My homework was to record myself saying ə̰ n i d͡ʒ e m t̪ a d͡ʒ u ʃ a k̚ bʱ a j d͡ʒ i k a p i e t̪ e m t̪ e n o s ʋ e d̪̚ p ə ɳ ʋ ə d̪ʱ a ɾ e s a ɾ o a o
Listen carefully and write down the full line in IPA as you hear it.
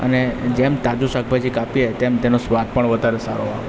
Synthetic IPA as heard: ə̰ n e d͡ʒ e m t̪ a d͡ʒ u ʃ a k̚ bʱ a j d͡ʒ i k a p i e t̪ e m t̪ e n o s ʋ a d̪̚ p ə ɳ ʋ ə d̪ʱ a ɾ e s a ɾ o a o

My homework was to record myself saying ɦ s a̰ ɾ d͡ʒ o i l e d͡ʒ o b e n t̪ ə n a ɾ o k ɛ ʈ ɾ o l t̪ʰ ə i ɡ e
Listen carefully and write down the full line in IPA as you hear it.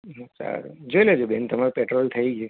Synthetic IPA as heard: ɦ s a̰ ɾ d͡ʒ o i l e d͡ʒ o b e n t̪ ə m a ɾ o p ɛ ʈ ɾ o l t̪ʰ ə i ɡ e

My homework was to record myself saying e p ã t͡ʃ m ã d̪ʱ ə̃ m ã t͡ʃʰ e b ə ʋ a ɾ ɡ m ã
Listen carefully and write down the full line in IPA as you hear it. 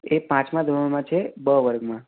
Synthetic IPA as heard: e p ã t͡ʃ m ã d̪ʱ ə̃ m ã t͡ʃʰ e b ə ʋ ə ɾ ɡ m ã

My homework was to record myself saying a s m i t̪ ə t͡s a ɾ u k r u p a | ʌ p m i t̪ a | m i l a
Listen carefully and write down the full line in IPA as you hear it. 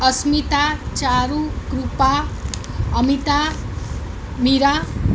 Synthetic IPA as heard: ʌ s m i t̪ a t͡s a ɾ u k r u p a | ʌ m i t̪ a | m i ɾ a

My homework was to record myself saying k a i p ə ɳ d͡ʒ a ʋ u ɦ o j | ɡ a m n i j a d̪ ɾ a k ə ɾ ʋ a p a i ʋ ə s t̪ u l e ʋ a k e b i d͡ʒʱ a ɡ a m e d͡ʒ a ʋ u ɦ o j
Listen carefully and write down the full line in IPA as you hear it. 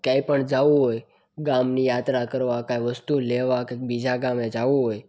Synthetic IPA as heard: k a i p ə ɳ d͡ʒ a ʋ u ɦ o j | ɡ a m n i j a t̪ ɾ a k ə ɾ ʋ a k a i ʋ ə s t̪ u l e ʋ a k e b i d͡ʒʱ a ɡ a m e d͡ʒ a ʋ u ɦ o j

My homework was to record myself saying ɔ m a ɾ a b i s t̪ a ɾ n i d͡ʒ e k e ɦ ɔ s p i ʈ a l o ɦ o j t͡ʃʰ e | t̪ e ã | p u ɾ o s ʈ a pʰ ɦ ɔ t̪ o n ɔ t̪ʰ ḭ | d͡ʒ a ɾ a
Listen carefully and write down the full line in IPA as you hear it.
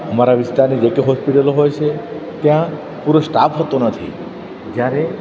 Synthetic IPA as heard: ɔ m a ɾ a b i s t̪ a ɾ n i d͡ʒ e k e ɦ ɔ s p i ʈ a l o ɦ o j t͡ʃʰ e | t̪ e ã | p u ɾ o s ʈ a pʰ ɦ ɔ t̪ o n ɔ t̪ʰ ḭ | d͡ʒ a ɾ e

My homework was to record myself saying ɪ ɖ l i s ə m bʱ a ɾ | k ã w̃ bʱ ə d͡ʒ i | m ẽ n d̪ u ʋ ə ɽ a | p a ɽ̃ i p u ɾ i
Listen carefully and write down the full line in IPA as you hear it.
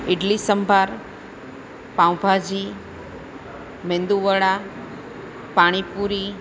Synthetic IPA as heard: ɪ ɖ l i s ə m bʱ a ɾ | p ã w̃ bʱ a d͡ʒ i | m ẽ n d̪ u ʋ ə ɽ a | p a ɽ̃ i p u ɾ i

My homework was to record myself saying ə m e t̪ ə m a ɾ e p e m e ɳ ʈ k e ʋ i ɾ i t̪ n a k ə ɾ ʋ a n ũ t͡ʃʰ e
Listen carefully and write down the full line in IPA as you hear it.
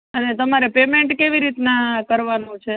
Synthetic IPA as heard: ə n e t̪ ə m a ɾ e p e m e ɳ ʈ k e ʋ i ɾ i t̪ n a k ə ɾ ʋ a n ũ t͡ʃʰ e

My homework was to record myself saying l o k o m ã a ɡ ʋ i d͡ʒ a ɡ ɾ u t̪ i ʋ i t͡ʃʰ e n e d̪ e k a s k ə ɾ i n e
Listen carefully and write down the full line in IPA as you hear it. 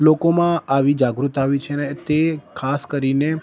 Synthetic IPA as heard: l o k o m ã a ʋ i d͡ʒ a ɡ ɾ u t̪ a ʋ i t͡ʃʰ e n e t̪ e kʰ a s k ə ɾ i n e

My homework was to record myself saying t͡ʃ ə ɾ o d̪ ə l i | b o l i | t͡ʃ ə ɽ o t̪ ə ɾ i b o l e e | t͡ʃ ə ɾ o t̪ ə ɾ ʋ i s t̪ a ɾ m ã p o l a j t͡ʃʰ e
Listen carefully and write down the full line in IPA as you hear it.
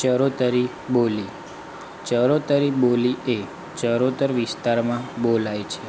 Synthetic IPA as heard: t͡ʃ ə ɾ o t̪ ə ɾ i | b o l i | t͡ʃ ə ɾ o t̪ ə ɾ i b o l i e | t͡ʃ ə ɾ o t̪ ə ɾ ʋ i s t̪ a ɾ m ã b o l a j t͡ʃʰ e

